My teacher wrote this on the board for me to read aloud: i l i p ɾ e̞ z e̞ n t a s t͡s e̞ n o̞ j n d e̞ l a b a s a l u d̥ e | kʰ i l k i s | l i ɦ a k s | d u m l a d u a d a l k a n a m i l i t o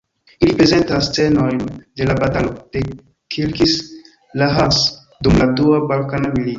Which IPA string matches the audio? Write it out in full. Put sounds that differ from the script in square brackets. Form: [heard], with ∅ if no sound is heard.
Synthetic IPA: i l i p ɾ e̞ z e̞ n t a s t͡s e̞ n o̞ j n d e̞ l a b a [t] a l [o] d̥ e | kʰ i l k i s | l [a] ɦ a [∅] s | d u m l a d u a [b] a l k a n a m i l i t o